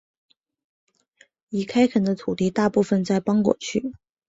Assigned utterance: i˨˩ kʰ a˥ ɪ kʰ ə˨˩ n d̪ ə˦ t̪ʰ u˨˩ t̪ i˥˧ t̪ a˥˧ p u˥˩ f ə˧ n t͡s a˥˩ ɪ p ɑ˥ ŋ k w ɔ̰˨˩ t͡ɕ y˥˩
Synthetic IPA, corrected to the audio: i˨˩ kʰ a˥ ɪ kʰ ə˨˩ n d̪ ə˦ t̪ʰ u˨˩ t̪ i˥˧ t̪ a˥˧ p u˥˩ f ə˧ n t͡s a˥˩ ɪ p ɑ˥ ŋ k w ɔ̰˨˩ t͡ɕʰ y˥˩